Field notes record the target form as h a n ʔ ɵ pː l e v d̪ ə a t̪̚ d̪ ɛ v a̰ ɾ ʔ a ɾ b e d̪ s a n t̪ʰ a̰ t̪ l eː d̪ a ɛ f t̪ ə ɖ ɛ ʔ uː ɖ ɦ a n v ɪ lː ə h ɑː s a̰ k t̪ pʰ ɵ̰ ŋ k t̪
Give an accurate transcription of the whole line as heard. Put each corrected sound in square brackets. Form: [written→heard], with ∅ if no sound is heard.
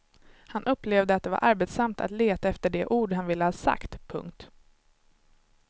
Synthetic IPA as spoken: h a n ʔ ɵ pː l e v d̪ ə a t̪̚ d̪ ɛ v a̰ ɾ ʔ a ɾ b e [d̪→t̪] s a [n→m] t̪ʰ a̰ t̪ l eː [d̪→t̪] a ɛ f t̪ ə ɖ ɛ ʔ uː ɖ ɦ a n v ɪ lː ə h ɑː s a̰ k t̪ pʰ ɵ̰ ŋ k t̪